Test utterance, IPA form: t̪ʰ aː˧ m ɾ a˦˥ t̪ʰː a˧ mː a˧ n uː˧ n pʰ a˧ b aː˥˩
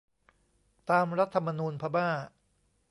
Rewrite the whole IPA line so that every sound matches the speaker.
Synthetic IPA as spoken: t̪ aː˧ m ɾ a˦˥ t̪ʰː a˧ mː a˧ n uː˧ n pʰ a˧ b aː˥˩